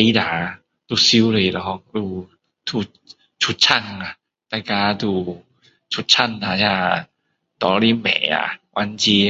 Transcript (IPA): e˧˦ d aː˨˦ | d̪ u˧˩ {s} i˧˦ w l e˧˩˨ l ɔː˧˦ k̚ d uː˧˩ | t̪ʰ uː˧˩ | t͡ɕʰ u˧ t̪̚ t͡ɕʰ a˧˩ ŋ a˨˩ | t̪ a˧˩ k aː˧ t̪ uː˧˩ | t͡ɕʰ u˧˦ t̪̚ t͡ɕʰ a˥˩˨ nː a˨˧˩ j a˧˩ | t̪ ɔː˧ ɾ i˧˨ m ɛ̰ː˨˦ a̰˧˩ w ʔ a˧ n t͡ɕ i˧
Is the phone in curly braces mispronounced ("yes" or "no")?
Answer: no